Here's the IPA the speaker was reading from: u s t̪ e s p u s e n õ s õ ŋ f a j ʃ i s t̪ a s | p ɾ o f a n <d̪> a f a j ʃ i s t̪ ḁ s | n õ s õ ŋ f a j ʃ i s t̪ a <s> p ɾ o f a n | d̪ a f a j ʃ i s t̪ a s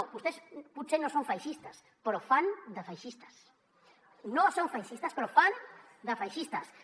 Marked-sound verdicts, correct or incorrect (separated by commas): correct, correct